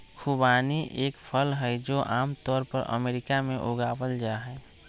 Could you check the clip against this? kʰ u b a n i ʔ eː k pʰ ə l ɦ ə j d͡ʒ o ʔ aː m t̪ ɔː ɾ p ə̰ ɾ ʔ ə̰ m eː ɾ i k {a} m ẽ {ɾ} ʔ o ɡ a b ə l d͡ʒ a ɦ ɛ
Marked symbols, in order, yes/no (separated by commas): yes, no